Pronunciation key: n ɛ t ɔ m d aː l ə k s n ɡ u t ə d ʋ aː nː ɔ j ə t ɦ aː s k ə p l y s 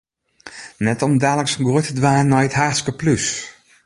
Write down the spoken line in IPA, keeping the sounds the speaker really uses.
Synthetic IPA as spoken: n ɛ t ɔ m d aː l ə k s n ɡ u t ə d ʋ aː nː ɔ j ə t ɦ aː s k ə p l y s